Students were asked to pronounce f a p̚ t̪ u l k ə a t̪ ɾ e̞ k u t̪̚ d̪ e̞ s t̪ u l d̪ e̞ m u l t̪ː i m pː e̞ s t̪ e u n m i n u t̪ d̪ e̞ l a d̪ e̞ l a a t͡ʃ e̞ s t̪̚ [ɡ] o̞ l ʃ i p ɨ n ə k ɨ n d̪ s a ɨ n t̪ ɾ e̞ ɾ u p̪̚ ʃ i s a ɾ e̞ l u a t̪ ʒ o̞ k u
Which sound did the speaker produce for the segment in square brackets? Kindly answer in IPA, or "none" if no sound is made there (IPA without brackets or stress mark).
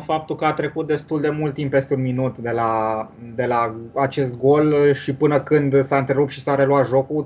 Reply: ɡ